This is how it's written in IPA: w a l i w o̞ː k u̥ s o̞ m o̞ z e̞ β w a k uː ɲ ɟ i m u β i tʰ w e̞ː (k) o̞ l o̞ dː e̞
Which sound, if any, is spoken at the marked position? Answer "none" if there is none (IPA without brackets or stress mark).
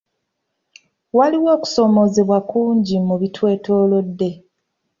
t